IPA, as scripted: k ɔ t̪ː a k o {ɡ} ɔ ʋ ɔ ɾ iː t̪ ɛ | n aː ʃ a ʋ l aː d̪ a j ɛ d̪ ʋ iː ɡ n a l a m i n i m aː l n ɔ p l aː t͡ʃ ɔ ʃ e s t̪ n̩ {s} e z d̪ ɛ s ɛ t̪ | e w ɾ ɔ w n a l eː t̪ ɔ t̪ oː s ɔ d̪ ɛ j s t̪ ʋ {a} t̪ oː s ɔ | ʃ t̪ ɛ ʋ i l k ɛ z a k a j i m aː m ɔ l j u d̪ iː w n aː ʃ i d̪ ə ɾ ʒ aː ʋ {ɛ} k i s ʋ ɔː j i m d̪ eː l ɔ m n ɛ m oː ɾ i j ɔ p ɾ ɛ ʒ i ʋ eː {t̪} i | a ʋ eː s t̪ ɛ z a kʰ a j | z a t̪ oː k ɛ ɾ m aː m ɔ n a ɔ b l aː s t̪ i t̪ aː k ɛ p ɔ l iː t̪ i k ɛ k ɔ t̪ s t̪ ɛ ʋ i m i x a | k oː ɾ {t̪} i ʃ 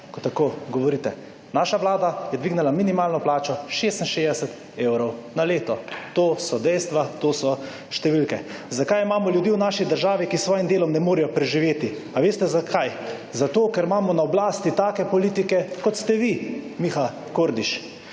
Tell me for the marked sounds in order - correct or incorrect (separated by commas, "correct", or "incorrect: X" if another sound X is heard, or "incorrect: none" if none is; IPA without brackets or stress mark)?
correct, incorrect: ʃ, correct, incorrect: i, correct, incorrect: d̪